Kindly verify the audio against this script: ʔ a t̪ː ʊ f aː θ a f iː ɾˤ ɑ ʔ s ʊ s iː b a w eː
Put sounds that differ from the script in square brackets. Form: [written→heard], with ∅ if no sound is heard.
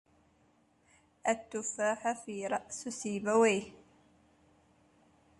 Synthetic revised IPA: ʔ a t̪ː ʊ f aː [θ→ħ] a f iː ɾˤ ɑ ʔ s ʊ s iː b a w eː

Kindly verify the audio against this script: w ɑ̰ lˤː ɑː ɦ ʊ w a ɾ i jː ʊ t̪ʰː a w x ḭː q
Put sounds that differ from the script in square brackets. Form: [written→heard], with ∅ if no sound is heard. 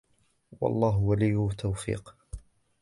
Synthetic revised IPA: w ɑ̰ lˤː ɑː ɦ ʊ w a [ɾ→l] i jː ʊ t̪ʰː a w [x→f] ḭː q

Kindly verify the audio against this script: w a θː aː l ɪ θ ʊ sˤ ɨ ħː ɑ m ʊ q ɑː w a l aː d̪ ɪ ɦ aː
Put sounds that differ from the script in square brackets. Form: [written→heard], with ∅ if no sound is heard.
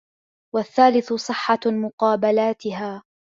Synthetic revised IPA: w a θː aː l ɪ θ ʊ sˤ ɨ ħː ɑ m ʊ q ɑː [w→b] a l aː [d̪→t̪] ɪ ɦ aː

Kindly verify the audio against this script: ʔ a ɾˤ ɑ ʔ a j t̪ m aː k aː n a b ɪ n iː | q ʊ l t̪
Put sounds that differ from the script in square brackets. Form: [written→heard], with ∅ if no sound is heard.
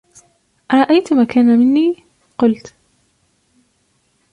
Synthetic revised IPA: ʔ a ɾˤ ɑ ʔ a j t̪ m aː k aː n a [b→m] ɪ [n→nː] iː | q ʊ l t̪

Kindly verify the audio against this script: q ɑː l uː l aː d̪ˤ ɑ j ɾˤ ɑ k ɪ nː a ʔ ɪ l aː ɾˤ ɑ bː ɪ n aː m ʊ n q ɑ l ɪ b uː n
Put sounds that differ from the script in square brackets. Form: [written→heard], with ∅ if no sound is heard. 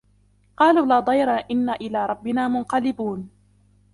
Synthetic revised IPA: q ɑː l uː l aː d̪ˤ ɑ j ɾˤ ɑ [k→ʔ] ɪ nː a ʔ ɪ l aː ɾˤ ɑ bː ɪ n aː m ʊ n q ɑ l ɪ b uː n

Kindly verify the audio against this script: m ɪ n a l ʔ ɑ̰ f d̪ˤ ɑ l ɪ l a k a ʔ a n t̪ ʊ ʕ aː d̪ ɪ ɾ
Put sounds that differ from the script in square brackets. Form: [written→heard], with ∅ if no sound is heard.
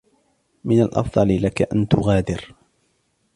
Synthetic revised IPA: m ɪ n a l ʔ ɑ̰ f d̪ˤ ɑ l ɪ l a k a ʔ a n t̪ ʊ [ʕ→ɣ] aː d̪ ɪ ɾ

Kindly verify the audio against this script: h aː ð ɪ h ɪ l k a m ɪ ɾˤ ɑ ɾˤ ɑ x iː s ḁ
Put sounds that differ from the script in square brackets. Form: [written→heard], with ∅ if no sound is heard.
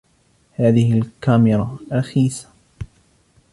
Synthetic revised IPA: h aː ð ɪ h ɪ l k a m ɪ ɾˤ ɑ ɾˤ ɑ x iː s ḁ

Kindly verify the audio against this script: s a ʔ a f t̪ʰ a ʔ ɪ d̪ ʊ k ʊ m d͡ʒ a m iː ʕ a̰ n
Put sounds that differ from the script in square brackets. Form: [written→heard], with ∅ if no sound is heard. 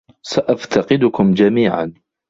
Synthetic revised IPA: s a ʔ a f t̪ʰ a [ʔ→q] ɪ d̪ ʊ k ʊ m d͡ʒ a m iː ʕ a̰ n

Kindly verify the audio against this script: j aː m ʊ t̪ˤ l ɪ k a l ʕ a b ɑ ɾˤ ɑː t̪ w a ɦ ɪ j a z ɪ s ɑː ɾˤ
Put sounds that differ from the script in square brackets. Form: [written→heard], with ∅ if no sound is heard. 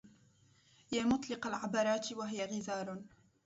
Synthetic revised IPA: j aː m ʊ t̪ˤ l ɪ [k→q] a l ʕ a b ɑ ɾˤ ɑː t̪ w a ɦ ɪ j a [z→ɣ] ɪ [s→z] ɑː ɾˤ

